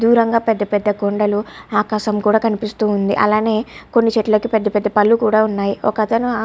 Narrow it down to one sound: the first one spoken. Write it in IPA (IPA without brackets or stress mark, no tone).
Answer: d̪